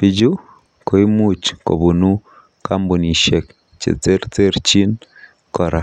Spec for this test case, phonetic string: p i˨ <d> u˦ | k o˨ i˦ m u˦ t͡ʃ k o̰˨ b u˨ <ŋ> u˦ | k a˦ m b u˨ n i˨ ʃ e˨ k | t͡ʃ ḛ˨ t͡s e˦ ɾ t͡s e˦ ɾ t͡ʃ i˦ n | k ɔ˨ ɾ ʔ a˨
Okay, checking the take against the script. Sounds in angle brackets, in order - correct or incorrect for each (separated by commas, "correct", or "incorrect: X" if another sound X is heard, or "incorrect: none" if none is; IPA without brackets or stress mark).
incorrect: d͡ʒ, incorrect: n